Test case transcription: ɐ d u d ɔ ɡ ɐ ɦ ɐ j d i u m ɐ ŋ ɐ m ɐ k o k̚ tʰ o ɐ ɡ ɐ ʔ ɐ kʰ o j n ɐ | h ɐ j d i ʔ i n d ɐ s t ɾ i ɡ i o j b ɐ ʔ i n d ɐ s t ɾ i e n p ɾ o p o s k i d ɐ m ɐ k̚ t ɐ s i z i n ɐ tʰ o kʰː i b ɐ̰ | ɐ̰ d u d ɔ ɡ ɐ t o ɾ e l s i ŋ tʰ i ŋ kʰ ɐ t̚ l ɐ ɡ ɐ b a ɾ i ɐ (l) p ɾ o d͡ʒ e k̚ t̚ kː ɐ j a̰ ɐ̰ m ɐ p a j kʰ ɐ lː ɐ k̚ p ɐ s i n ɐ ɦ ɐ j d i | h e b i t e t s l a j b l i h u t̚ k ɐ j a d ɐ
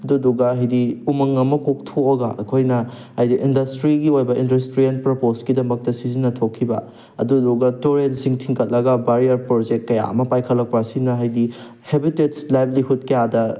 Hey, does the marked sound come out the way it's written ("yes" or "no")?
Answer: no